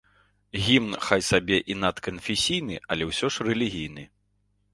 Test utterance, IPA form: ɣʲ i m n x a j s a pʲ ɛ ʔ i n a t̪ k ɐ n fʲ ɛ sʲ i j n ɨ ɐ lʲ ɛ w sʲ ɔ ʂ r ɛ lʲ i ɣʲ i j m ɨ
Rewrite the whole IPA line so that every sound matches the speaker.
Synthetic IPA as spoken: ɣʲ i m n x a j s a bʲ ɛ ʔ i n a t̪ k ɐ n fʲ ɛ sʲ i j n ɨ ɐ lʲ ɛ w sʲ ɔ ʂ r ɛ lʲ i ɣʲ i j n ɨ